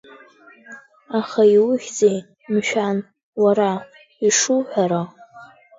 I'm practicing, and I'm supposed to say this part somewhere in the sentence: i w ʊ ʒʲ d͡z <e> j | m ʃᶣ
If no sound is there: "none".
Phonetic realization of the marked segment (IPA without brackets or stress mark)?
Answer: e